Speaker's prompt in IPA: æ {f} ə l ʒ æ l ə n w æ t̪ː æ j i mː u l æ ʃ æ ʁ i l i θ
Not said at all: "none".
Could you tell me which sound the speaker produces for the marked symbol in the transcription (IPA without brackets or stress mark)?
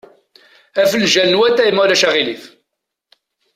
f